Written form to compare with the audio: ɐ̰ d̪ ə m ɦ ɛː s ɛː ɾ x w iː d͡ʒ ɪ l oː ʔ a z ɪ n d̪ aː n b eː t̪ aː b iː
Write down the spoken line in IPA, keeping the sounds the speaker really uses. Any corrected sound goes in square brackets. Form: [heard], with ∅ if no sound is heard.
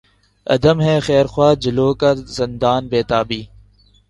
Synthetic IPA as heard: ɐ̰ d̪ ə m ɦ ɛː [x] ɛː ɾ x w [aː] d͡ʒ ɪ l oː [k] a z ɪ n d̪ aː n b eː t̪ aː b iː